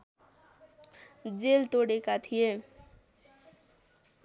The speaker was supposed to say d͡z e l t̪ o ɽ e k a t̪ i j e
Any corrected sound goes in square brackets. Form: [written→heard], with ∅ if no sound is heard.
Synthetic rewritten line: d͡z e l t̪ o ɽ e k a [t̪→t̪ʰ] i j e